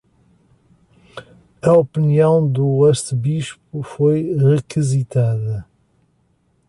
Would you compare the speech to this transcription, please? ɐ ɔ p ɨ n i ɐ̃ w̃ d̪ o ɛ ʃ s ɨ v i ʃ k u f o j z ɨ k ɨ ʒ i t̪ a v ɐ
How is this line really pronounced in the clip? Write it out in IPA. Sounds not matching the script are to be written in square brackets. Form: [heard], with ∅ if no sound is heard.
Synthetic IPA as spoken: ɐ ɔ p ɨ n i ɐ̃ w̃ d̪ [u] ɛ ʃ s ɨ [β] i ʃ [p] u f o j [ʁ] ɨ k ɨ [z] i t̪ a [ð] ɐ

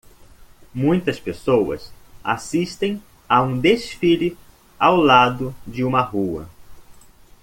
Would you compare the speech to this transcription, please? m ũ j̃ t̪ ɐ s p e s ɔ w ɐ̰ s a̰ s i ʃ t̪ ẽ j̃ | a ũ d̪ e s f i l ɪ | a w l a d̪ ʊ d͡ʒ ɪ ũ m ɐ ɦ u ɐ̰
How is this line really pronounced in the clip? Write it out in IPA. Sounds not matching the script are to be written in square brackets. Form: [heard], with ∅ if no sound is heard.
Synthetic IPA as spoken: m ũ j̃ t̪ ɐ s p e s [o] w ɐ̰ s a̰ s i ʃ t̪ ẽ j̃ | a ũ d̪ e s f i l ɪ | a w l a d̪ ʊ d͡ʒ ɪ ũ m ɐ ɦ u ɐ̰

